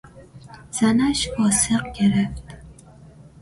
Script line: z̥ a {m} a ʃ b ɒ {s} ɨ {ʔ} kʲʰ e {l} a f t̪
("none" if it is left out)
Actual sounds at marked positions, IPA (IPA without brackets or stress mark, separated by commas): n, s, q, ɾ